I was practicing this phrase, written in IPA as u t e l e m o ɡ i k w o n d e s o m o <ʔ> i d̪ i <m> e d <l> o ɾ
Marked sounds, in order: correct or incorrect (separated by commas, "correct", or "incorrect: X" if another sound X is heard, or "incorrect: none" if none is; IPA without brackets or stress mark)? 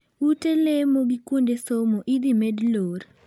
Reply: correct, correct, correct